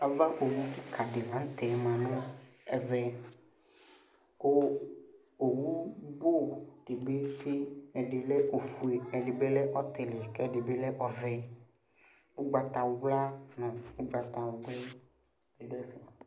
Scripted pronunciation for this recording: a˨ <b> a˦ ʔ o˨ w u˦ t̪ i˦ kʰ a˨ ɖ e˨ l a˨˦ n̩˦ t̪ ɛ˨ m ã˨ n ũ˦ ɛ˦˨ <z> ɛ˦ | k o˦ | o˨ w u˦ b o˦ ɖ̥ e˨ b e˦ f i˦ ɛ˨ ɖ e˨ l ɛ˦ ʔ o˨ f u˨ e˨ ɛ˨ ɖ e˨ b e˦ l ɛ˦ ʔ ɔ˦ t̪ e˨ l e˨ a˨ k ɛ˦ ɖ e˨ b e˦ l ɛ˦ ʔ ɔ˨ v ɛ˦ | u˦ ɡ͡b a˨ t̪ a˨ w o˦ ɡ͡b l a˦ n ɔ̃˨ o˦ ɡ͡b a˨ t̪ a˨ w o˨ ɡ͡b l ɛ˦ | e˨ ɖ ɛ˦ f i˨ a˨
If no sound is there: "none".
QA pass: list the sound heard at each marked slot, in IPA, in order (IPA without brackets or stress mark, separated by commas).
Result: v, v